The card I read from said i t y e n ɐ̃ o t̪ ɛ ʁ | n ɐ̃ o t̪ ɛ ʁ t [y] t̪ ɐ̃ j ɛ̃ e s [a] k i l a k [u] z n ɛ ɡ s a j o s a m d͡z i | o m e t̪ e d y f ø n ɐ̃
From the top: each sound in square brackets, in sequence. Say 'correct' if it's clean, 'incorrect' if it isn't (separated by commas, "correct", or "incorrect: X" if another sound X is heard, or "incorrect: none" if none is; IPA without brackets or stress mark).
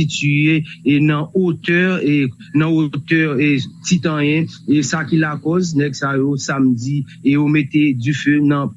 incorrect: i, correct, incorrect: ɔ